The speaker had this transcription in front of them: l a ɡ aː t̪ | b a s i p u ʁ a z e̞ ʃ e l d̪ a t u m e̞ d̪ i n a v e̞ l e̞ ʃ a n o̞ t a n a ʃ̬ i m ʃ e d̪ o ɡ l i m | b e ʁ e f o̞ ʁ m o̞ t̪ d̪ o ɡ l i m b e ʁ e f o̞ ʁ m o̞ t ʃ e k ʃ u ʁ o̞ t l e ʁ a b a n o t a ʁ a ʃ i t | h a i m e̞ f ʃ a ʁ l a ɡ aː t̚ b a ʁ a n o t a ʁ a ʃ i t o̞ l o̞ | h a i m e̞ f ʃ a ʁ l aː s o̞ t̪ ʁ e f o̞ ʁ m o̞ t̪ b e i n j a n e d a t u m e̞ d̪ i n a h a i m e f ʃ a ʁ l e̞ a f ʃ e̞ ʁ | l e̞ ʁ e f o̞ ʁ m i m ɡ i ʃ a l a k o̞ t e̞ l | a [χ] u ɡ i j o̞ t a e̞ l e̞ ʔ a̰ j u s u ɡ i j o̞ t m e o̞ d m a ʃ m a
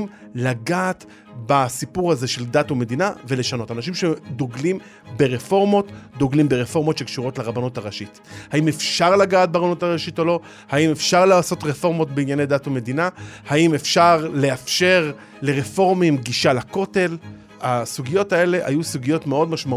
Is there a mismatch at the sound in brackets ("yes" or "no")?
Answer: yes